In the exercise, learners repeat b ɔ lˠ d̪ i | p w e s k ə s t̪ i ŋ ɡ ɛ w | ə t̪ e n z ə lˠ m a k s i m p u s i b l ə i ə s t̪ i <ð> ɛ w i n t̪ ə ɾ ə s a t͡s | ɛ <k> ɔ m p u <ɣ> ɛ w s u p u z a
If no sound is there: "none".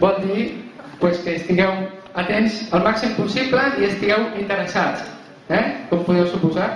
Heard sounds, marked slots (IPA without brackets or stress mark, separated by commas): ɣ, k, ð